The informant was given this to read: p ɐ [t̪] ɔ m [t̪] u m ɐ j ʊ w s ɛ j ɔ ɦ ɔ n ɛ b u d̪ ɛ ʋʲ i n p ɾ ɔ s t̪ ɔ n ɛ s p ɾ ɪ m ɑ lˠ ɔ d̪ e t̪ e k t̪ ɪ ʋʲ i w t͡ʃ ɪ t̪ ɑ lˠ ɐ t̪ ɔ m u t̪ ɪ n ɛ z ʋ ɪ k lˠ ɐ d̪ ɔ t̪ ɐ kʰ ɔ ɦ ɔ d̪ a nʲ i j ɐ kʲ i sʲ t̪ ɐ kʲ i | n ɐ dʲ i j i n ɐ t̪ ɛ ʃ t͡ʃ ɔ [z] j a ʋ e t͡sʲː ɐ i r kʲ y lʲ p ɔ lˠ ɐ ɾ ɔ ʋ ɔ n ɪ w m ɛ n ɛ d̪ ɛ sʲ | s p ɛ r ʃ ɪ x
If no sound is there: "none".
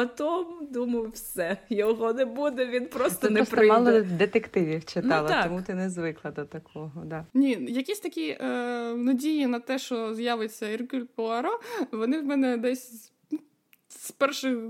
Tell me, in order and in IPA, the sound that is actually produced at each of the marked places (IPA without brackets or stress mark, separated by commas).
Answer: t̪, d̪, z